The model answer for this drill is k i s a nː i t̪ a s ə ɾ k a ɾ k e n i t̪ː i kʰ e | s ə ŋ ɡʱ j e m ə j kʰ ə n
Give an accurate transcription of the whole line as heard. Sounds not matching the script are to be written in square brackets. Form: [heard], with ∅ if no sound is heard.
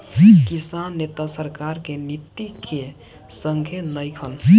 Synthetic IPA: k i s a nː [e] t̪ a s ə ɾ k a ɾ k e n i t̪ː i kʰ e | s ə ŋ ɡʱ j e [n] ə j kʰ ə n